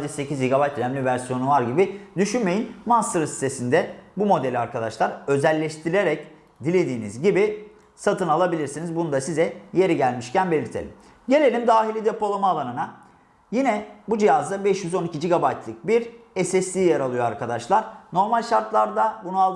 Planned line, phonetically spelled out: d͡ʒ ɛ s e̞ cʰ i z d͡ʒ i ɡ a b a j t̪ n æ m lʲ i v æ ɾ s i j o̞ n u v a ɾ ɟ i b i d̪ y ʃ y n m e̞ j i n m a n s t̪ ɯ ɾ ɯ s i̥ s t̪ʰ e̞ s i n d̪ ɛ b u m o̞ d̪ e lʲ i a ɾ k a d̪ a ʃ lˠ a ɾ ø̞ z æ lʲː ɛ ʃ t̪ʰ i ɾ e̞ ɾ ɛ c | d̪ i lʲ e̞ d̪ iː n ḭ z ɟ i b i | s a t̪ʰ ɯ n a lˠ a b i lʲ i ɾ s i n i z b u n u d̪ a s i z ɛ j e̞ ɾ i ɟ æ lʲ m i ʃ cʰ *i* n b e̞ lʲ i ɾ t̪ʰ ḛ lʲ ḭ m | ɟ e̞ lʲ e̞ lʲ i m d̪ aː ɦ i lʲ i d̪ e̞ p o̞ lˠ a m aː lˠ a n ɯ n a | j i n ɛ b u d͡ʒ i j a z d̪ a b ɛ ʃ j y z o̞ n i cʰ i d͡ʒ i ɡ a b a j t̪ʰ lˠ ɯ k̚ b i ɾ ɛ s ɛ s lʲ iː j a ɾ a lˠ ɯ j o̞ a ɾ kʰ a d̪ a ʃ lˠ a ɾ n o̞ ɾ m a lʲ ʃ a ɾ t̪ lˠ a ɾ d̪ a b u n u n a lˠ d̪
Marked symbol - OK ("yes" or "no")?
no